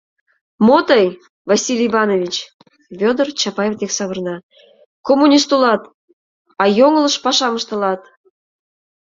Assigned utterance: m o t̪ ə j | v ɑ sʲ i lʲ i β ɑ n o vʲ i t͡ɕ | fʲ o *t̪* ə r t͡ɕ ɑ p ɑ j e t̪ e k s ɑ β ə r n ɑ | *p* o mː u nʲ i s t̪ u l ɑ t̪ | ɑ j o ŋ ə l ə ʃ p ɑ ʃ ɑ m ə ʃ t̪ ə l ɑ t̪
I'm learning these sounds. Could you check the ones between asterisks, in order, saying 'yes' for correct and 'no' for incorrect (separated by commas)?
no, no